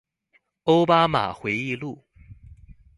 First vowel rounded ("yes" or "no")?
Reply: yes